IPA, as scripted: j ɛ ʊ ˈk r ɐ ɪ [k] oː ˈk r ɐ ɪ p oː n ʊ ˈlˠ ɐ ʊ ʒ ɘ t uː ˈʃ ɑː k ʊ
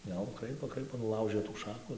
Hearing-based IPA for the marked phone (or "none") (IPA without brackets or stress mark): p